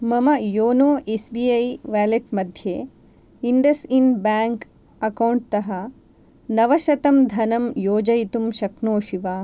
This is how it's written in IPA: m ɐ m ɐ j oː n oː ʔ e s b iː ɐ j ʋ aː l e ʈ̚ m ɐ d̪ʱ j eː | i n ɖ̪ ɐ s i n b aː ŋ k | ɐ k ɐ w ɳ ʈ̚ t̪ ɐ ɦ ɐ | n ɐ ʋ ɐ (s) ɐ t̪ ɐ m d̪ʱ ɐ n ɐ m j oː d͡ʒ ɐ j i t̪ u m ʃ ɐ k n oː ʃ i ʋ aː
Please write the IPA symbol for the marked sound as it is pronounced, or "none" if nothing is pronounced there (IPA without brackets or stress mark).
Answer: ʃ